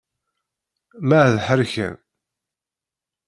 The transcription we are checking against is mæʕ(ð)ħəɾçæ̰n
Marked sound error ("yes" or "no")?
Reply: no